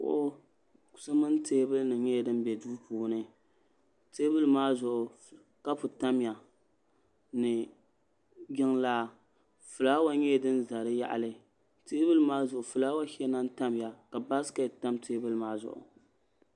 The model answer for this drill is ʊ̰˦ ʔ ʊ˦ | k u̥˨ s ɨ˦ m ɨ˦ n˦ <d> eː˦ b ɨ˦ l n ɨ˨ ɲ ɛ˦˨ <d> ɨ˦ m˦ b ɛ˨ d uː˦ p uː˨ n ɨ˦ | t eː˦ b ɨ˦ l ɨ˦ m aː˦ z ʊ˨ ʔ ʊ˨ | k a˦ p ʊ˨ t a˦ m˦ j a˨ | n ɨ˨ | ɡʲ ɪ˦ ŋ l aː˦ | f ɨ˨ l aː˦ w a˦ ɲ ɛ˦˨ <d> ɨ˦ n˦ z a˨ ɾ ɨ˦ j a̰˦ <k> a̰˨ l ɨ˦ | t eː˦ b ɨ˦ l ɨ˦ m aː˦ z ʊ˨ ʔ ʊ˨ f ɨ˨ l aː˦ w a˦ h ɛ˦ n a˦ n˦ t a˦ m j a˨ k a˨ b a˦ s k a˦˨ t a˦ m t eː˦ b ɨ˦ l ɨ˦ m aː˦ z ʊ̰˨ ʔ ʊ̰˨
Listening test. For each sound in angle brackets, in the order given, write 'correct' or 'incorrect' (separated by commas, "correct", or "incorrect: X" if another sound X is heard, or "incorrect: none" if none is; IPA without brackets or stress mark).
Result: incorrect: t, correct, correct, incorrect: ʔ